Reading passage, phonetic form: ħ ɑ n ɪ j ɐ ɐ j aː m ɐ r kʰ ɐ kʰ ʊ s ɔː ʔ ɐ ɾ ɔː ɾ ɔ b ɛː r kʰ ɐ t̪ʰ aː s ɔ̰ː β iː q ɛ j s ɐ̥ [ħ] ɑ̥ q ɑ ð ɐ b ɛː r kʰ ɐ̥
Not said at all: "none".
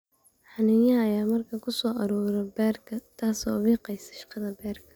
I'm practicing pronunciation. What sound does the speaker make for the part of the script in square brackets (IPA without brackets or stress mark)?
ʃ